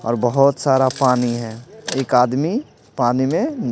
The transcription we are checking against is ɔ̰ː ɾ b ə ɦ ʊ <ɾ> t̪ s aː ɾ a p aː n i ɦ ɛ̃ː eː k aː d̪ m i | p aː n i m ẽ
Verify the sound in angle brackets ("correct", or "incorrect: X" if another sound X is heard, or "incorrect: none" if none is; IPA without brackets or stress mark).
incorrect: none